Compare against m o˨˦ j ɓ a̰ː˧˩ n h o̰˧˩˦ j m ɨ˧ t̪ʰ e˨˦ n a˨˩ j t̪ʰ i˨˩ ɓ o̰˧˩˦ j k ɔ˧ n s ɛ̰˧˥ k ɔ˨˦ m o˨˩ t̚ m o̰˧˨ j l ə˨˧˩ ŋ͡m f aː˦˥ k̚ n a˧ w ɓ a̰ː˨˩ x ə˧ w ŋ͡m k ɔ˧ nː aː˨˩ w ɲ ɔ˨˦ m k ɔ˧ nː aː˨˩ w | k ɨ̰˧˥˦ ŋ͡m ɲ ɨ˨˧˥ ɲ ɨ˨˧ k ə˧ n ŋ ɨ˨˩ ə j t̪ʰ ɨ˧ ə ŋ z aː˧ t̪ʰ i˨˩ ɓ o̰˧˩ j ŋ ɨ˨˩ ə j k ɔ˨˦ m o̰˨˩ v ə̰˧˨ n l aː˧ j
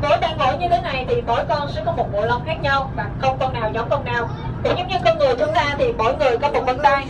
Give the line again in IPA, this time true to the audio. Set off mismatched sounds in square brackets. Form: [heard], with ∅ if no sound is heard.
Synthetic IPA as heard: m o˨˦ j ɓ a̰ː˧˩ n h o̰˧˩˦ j [ɲ] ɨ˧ t̪ʰ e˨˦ n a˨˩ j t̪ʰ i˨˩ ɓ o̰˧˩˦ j k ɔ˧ n s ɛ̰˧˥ k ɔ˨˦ m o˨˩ t̚ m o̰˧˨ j l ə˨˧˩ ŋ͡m [x] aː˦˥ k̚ [ɲ] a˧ w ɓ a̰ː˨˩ x ə˧ w ŋ͡m k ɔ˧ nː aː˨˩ w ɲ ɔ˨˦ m k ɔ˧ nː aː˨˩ w | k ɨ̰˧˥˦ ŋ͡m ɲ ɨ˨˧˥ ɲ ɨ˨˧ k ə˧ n ŋ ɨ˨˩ ə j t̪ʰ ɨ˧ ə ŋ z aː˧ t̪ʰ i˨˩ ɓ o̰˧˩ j ŋ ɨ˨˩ ə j k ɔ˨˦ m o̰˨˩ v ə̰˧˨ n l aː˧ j

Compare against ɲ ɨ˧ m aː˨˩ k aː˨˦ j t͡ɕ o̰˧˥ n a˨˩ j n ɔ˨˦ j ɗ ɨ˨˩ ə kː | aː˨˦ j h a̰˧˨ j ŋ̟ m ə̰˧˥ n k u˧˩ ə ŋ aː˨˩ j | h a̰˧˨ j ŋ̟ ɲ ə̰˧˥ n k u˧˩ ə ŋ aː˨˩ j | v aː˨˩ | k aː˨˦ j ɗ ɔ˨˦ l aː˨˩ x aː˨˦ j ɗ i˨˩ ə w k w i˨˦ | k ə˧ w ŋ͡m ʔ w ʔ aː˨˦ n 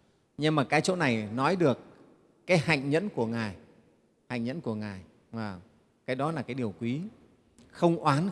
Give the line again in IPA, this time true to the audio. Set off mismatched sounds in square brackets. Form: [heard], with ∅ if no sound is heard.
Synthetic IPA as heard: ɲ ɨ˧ m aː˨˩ k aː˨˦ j t͡ɕ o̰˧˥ n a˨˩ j n ɔ˨˦ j ɗ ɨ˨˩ ə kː | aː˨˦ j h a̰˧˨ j ŋ̟ [ɲ] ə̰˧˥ n k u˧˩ ə ŋ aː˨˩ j | h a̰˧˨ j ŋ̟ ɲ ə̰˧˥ n k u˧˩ ə ŋ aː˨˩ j | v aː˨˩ | k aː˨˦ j ɗ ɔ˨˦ l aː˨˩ [k] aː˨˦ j ɗ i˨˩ ə w k w i˨˦ | [x] ə˧ w ŋ͡m ʔ w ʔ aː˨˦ n

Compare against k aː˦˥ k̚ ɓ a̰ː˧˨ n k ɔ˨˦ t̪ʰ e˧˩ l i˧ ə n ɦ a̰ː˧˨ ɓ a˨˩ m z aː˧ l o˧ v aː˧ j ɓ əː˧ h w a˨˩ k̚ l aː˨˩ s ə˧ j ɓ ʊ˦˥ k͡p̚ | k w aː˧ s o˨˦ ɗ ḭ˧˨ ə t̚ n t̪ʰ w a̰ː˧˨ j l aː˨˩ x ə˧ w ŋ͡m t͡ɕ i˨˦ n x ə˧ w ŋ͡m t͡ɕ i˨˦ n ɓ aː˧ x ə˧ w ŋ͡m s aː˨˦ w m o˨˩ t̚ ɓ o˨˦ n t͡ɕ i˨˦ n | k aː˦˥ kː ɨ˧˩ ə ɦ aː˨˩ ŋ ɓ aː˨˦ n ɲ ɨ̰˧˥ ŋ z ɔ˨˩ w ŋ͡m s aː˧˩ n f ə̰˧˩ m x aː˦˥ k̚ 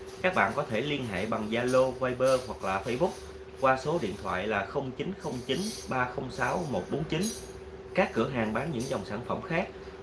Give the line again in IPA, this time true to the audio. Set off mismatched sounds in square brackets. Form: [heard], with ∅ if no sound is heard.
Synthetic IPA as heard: k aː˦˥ k̚ ɓ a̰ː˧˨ n k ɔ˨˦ t̪ʰ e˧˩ l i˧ ə n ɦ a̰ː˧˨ ɓ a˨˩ [ŋ] z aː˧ l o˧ v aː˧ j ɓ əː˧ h w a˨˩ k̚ l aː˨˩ [f] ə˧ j ɓ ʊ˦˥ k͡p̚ | k w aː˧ s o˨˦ ɗ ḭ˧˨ ə [∅] n t̪ʰ w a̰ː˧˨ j l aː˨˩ x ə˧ w ŋ͡m t͡ɕ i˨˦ n x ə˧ w ŋ͡m t͡ɕ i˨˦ n ɓ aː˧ x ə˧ w ŋ͡m s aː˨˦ w m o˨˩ t̚ ɓ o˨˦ n t͡ɕ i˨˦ n | k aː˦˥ kː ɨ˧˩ ə ɦ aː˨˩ ŋ ɓ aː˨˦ n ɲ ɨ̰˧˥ ŋ z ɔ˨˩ w ŋ͡m s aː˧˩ n f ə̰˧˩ m x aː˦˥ k̚

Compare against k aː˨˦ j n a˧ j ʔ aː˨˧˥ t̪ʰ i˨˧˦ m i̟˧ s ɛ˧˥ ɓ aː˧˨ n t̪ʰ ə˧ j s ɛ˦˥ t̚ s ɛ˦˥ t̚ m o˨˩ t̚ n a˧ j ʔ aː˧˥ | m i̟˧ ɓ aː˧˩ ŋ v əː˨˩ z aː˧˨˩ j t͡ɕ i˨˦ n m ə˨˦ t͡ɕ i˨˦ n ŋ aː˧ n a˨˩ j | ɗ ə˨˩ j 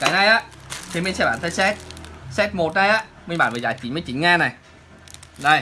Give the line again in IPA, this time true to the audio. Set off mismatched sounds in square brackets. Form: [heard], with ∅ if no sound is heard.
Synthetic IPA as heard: k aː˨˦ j n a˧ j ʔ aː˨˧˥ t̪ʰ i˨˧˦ m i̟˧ s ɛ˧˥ ɓ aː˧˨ n t̪ʰ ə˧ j s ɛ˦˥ t̚ s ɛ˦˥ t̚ m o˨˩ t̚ n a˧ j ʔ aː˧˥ | m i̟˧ ɓ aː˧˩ [n] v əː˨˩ z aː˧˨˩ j t͡ɕ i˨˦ n m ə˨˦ t͡ɕ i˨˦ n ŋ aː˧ n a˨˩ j | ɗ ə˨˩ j

